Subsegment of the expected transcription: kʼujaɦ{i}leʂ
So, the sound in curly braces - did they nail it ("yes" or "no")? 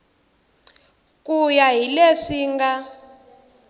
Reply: yes